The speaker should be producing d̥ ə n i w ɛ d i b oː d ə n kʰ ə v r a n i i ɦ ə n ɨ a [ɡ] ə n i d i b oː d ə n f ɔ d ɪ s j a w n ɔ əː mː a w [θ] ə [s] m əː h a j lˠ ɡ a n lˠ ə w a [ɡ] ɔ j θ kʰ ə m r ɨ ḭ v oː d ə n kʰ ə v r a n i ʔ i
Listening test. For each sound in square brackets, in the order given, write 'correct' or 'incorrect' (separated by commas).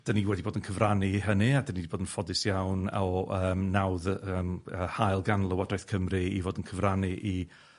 incorrect, incorrect, incorrect, incorrect